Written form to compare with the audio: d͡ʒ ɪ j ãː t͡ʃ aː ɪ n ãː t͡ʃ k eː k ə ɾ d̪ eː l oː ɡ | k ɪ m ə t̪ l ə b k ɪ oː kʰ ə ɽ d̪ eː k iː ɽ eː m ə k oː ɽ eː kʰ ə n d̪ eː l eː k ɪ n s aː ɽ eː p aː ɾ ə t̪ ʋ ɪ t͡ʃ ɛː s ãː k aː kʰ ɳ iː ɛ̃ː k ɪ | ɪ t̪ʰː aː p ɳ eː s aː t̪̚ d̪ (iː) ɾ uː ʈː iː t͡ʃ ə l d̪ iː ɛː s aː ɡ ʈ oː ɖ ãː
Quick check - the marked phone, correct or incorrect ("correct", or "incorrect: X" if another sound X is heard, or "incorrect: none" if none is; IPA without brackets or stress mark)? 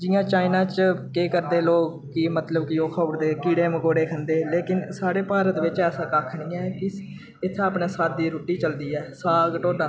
correct